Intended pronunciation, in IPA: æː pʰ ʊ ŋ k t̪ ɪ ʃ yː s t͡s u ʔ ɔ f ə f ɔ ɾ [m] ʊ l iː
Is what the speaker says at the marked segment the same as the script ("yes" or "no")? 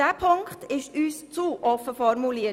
yes